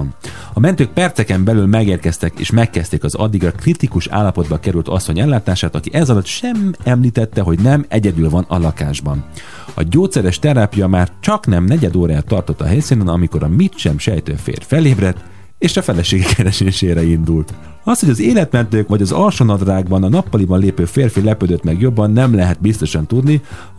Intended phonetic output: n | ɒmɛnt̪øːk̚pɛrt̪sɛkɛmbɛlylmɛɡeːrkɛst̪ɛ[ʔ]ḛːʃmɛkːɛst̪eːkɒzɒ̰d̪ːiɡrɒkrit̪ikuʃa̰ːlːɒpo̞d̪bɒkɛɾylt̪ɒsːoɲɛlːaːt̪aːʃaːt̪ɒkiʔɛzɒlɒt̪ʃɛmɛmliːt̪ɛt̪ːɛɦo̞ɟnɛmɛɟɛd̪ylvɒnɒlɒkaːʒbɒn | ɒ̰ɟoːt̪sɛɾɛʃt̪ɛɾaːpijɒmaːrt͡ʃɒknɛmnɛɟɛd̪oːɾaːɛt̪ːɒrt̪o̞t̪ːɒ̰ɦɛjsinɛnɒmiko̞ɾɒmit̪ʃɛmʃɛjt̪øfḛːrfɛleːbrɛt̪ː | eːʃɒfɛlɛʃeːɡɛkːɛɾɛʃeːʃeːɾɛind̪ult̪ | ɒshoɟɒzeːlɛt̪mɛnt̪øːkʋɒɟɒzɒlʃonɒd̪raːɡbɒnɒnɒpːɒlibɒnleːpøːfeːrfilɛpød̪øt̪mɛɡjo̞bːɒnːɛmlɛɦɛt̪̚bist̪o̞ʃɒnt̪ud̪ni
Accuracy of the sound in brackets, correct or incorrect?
incorrect